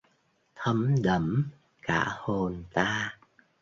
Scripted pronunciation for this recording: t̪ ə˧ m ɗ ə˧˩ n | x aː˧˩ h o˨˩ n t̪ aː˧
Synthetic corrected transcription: t̪ʰ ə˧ m ɗ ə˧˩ m | k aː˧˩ h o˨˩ n t̪ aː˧